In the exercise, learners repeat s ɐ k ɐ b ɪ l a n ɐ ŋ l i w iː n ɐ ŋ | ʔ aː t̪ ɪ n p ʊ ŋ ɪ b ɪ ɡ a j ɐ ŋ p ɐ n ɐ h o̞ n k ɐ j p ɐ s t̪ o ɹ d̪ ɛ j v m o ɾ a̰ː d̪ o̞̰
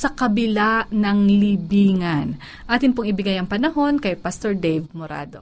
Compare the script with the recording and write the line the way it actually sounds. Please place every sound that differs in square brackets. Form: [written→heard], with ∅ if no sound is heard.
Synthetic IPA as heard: s ɐ k ɐ b ɪ l a n ɐ ŋ l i [w→b] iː [n→ŋ] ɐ [ŋ→n] | ʔ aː t̪ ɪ n p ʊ ŋ ɪ b ɪ ɡ a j ɐ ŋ p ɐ n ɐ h o̞ n k ɐ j p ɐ s t̪ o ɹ d̪ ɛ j v m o ɾ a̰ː d̪ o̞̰